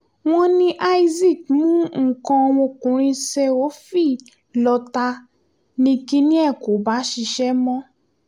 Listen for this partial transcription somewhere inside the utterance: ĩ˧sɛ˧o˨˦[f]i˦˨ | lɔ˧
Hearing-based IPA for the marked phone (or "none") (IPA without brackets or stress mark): f